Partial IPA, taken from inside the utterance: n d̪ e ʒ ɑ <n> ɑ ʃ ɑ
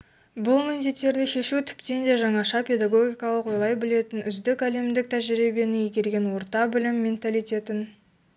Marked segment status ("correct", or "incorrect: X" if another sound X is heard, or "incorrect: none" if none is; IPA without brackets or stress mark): incorrect: ɴ